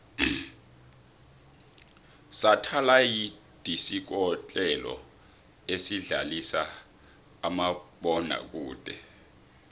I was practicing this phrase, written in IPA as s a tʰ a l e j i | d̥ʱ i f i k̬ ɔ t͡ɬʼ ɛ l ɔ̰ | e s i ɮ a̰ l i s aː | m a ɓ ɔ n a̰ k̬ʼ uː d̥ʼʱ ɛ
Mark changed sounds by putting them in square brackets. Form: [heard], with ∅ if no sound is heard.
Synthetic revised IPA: s a tʰ a l [a] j i | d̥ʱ i [s] i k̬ ɔ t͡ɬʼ ɛ l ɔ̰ | e s i ɮ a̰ l i s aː | m a ɓ ɔ n a̰ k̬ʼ uː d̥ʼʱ ɛ